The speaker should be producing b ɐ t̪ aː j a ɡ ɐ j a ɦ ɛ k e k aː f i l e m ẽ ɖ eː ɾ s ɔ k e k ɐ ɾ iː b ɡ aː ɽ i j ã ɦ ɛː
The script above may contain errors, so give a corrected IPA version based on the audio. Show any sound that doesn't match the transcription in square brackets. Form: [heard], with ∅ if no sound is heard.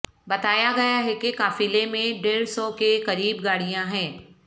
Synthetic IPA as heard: b ɐ t̪ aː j a ɡ ɐ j a ɦ ɛ k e k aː f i l e m ẽ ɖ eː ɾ s ɔ k e k ɐ ɾ iː b ɡ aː ɽ i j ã ɦ [ɛ̃ː]